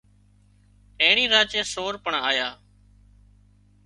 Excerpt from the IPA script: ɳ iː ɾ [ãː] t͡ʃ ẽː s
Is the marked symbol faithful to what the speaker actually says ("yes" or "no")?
no